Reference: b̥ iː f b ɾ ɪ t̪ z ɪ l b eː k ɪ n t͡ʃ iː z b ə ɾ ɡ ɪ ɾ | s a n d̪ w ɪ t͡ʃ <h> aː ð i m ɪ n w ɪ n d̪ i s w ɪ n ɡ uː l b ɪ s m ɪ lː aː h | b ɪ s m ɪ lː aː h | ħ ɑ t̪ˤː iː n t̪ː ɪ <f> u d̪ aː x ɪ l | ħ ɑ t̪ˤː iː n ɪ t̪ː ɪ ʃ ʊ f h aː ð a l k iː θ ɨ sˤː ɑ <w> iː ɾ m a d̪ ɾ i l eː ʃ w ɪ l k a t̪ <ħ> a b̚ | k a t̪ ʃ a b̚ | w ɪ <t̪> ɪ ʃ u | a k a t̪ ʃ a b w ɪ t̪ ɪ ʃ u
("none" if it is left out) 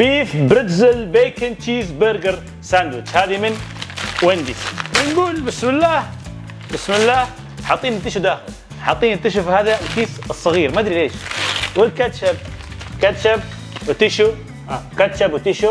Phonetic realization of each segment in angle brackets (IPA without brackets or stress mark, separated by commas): h, ʃ, ɣ, ʃ, t̪